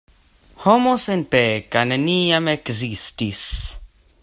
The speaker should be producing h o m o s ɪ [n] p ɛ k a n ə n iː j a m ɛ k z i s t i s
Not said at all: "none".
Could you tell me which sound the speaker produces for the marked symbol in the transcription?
n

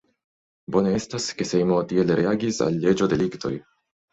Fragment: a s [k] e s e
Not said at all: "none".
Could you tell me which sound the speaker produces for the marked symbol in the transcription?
k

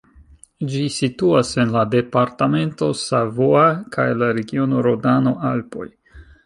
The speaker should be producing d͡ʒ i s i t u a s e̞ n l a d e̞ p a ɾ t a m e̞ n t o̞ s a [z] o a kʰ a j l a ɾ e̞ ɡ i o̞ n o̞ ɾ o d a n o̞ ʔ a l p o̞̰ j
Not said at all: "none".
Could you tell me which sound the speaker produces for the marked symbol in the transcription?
v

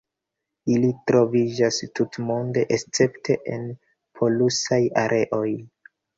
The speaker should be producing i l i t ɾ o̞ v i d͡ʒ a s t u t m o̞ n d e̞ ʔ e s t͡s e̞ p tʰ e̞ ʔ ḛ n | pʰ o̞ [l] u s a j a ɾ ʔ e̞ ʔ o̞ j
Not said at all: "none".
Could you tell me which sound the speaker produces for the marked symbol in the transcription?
l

